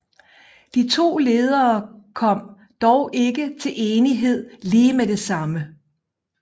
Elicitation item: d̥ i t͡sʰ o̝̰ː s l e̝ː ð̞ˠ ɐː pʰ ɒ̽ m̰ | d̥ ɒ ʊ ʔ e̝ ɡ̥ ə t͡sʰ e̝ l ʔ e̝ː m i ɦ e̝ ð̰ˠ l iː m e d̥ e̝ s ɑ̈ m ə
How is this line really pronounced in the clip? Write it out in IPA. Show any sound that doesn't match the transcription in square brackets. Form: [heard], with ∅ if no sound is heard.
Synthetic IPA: d̥ i t͡sʰ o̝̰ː [∅] l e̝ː ð̞ˠ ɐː [kʰ] ɒ̽ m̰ | d̥ ɒ ʊ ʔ e̝ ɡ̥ ə t͡sʰ e̝ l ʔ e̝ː [n] i ɦ e̝ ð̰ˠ l iː m e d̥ e̝ s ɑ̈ m ə